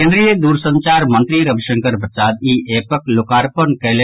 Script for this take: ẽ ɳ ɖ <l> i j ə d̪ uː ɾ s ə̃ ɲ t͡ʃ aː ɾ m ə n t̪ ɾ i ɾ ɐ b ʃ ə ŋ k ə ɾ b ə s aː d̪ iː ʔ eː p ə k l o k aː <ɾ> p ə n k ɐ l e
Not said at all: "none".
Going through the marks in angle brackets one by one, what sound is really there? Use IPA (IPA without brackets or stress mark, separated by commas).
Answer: ɾ, ɾ